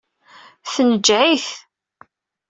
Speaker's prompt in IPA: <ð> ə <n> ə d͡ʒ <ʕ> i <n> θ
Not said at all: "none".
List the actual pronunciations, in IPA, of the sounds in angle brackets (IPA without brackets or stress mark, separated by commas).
θ, n, ʕ, none